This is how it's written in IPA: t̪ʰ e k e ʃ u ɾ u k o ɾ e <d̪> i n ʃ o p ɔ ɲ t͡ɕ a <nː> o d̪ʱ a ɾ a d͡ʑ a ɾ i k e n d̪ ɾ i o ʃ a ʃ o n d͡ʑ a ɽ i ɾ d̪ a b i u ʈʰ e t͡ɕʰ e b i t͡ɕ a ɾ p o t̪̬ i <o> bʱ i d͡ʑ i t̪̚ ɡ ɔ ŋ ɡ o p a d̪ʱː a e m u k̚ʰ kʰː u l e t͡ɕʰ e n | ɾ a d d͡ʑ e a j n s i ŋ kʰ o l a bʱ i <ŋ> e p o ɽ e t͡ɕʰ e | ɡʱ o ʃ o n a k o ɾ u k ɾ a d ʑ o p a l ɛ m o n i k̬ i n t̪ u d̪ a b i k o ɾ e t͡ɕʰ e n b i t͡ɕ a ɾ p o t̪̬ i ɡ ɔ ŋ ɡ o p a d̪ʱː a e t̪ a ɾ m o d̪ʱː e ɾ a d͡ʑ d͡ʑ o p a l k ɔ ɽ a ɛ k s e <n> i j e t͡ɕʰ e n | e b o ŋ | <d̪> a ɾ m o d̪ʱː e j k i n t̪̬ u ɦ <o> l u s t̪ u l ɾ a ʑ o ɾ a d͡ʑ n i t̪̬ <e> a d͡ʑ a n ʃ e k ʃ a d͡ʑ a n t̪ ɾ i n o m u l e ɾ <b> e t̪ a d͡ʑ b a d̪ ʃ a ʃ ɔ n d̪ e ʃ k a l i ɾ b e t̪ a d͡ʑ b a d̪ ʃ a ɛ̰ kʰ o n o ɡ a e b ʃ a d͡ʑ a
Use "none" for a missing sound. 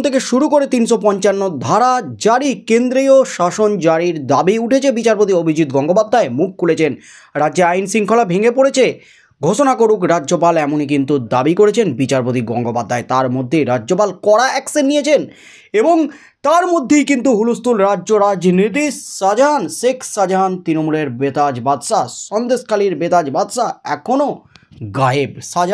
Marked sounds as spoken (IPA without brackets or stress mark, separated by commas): t̪, nː, o, ŋ, nː, t̪, u, i, b